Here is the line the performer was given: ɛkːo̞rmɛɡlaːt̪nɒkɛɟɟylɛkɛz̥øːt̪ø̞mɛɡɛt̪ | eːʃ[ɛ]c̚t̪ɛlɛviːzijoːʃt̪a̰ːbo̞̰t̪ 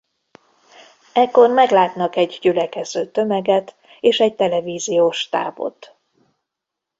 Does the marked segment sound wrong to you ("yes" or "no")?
no